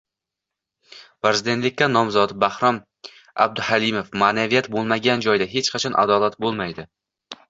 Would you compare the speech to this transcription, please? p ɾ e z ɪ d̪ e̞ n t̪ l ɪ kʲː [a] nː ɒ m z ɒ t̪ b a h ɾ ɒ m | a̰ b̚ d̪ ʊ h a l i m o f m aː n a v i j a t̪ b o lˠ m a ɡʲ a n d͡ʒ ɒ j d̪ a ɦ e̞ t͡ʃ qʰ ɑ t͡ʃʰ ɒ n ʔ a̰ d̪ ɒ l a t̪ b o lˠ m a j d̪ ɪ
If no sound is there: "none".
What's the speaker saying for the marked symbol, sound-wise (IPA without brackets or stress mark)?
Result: a